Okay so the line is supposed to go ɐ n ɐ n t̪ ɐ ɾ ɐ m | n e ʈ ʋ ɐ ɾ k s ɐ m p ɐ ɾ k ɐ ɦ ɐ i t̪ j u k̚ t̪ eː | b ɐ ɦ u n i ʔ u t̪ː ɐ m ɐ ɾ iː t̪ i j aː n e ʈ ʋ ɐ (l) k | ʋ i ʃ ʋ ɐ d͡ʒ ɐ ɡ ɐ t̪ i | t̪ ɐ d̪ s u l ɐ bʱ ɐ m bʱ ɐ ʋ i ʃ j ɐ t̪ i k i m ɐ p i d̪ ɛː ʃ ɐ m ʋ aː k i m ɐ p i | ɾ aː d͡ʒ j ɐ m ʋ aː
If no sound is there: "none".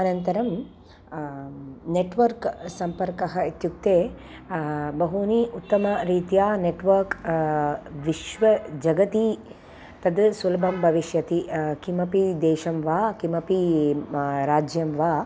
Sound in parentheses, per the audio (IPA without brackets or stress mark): ɾ